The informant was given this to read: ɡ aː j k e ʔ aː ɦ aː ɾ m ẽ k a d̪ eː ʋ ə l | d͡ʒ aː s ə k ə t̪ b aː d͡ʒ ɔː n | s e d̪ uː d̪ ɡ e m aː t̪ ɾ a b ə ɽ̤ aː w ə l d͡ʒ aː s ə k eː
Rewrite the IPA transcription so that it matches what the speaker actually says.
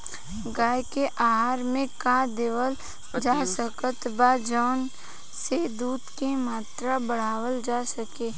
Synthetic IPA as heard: ɡ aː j k e ʔ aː ɦ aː ɾ m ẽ k a d̪ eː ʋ ə l | d͡ʒ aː s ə k ə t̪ b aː d͡ʒ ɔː n | s e d̪ uː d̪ k e m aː t̪ ɾ a b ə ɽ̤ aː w ə l d͡ʒ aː s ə k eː

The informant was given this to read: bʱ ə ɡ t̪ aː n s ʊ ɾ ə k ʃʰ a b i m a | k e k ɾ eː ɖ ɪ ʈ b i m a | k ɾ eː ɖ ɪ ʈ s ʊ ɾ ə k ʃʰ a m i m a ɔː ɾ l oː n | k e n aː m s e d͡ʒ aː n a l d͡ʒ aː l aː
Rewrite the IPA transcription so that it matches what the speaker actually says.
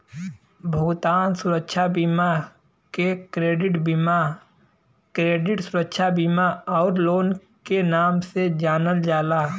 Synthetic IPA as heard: bʱ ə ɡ t̪ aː n s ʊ ɾ ə k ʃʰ a b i m a | k e k ɾ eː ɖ ɪ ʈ b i m a | k ɾ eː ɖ ɪ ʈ s ʊ ɾ ə k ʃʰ a b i m a ɔː ɾ l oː n | k e n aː m s e d͡ʒ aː n ə l d͡ʒ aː l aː

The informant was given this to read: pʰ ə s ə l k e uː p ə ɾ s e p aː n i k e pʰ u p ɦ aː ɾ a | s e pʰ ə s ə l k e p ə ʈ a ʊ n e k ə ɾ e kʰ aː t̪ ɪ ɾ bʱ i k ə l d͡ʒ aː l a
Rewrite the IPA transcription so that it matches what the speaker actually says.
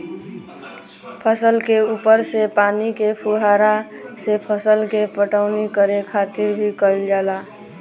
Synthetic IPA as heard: pʰ ə s ə l k e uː p ə ɾ s e p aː n i k e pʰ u ɦ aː ɾ a | s e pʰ ə s ə l k e p ə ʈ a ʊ n i k ə ɾ e kʰ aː t̪ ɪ ɾ bʱ i k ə l d͡ʒ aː l a

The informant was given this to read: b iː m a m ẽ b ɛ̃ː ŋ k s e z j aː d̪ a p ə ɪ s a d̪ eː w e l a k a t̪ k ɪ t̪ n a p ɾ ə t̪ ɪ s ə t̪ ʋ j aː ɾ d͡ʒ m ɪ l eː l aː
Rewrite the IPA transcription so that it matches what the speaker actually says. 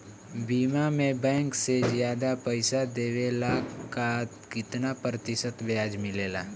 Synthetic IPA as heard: b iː m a m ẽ b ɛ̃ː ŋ k s e z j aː d̪ a p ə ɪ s a d̪ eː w e l a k a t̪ k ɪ t̪ n a p ɾ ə t̪ ɪ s ə t̪ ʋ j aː d͡ʒ m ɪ l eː l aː

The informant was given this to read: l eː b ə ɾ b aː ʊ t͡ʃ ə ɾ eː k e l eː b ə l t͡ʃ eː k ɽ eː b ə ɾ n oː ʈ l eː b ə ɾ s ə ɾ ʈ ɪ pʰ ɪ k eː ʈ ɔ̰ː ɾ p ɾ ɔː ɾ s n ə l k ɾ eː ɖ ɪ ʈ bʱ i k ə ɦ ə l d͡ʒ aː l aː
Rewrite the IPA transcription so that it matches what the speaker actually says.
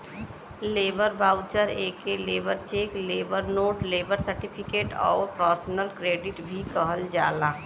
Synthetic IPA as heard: l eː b ə ɾ b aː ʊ t͡ʃ ə ɾ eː k e l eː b ə ɾ t͡ʃ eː k l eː b ə ɾ n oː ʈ l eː b ə ɾ s ə ɾ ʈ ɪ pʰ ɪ k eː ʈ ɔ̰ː ɾ p ɾ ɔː ɾ s n ə l k ɾ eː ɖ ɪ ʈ bʱ i k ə ɦ ə l d͡ʒ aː l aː

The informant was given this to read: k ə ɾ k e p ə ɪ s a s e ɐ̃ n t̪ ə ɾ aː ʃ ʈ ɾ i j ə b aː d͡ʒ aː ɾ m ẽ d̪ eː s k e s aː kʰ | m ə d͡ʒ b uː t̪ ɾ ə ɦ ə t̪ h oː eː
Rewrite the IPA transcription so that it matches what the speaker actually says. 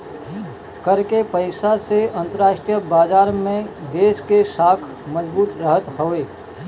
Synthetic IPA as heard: k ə ɾ k e p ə ɪ s a s e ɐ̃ n t̪ ə ɾ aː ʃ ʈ ɾ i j ə b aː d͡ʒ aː ɾ m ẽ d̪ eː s k e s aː kʰ | m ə d͡ʒ b uː t̪ ɾ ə ɦ ə t̪ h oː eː

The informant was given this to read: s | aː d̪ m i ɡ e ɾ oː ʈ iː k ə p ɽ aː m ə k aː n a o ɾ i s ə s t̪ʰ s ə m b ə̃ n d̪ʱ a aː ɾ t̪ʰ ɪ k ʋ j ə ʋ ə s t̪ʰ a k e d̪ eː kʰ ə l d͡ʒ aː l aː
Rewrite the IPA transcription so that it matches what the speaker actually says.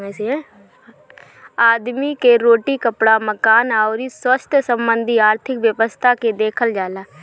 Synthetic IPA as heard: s | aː d̪ m i k e ɾ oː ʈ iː k ə p ɽ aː m ə k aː n a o ɾ i s ə s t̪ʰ s ə m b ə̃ n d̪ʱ i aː ɾ t̪ʰ ɪ k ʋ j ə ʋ ə s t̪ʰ a k e d̪ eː kʰ ə l d͡ʒ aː l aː

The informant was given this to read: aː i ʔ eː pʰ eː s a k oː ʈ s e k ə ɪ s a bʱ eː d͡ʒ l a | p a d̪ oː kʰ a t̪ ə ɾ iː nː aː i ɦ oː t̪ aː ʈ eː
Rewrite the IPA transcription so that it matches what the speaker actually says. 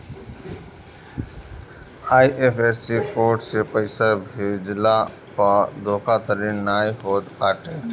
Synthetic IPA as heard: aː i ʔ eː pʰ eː s i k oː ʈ s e p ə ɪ s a bʱ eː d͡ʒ l a | p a d̪ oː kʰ a t̪ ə ɾ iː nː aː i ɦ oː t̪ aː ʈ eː

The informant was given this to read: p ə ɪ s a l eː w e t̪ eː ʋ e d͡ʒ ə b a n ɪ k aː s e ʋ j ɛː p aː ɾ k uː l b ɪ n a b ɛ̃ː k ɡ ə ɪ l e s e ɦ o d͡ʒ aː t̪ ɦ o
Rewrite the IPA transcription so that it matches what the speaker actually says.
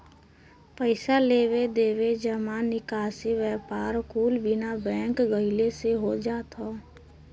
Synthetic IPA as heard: p ə ɪ s a l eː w e d̪ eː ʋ e d͡ʒ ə m a n ɪ k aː s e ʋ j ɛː p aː ɾ k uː l b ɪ n a b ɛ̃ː k ɡ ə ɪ l e s e ɦ o d͡ʒ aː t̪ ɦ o

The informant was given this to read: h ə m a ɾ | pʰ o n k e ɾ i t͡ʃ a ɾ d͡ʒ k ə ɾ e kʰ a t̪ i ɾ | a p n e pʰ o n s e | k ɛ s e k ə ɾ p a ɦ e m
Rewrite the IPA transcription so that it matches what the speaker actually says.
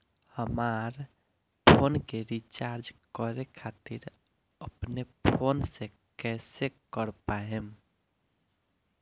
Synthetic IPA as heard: h ə m a ɾ | pʰ o n k e ɾ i t͡ʃ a ɾ d͡ʒ k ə ɾ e kʰ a t̪ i ɾ | ə p n e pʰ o n s e | k ɛ s e k ə ɾ p a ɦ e m

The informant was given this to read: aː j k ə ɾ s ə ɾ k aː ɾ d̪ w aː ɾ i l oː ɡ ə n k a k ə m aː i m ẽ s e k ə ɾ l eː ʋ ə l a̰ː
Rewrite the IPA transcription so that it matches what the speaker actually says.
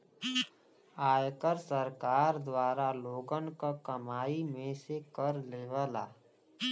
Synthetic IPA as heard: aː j k ə ɾ s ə ɾ k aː ɾ d̪ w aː ɾ a l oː ɡ ə n k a k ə m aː i m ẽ s e k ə ɾ l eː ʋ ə l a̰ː

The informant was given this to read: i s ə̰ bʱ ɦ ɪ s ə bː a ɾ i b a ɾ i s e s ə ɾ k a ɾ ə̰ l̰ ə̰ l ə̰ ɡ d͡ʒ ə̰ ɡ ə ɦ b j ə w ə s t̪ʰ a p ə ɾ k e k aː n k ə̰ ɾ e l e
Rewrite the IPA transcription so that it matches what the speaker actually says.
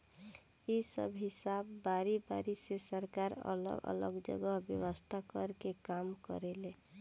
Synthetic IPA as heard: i s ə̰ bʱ ɦ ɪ s a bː a ɾ i b a ɾ i s e s ə ɾ k a ɾ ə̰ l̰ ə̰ l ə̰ ɡ d͡ʒ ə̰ ɡ ə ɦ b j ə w ə s t̪ʰ a k ə ɾ k e k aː m k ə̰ ɾ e l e

